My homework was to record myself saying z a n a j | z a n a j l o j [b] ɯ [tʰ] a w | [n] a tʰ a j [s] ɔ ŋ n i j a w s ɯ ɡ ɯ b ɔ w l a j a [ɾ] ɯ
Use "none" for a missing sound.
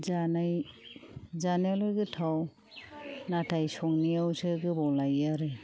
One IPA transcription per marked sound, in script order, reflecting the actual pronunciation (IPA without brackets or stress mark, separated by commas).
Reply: ɡ, tʰ, n, s, ɾ